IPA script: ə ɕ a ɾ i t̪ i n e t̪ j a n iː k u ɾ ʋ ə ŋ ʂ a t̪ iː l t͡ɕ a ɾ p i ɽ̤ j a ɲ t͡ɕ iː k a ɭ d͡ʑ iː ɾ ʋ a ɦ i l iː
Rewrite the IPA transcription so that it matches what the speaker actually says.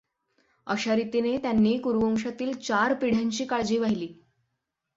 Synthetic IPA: ə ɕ a ɾ i t̪ i n e t̪ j a nː iː k u ɾ ʋ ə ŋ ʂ a t̪ iː l t͡ɕ a ɾ p i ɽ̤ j a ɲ t͡ɕ iː k a ɭ d͡ʑ iː ʋ a ɦ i l iː